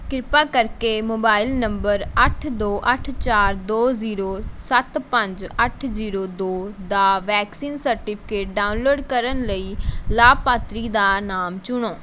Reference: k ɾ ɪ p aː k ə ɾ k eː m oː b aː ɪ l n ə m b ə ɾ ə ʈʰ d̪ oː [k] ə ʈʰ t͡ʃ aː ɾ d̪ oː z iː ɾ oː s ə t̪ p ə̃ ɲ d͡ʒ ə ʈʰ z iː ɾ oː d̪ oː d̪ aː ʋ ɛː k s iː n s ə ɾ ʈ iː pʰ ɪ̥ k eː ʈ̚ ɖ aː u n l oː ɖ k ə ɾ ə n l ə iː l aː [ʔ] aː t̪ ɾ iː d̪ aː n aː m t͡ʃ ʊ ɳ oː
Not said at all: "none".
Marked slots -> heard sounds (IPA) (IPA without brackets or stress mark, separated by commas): ʔ, p